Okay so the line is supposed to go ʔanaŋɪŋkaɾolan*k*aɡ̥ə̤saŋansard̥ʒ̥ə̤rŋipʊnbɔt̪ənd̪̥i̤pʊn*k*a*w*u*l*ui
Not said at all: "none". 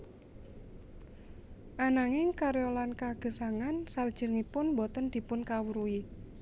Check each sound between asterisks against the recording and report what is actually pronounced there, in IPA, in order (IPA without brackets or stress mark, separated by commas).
k, k, w, ɾ